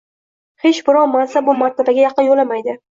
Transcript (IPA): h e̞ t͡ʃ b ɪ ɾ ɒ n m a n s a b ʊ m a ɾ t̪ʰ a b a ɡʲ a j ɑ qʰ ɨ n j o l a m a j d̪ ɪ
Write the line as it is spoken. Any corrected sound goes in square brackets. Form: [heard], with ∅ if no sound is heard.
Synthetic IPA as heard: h e̞ t͡ʃ b ɪ ɾ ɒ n m a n s a b ʊ m a ɾ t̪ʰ a b a ɡʲ a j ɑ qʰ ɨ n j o l a m a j d̪ ɪ